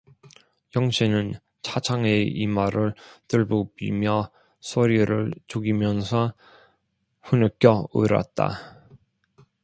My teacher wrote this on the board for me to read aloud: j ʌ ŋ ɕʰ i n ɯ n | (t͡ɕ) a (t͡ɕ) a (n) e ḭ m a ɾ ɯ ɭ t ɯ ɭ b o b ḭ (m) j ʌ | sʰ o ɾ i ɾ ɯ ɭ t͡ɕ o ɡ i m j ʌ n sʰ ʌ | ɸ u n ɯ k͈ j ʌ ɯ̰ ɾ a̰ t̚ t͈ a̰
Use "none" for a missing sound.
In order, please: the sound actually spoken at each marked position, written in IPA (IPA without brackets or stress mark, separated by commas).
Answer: t͡ɕʰ, t͡ɕʰ, ŋ, m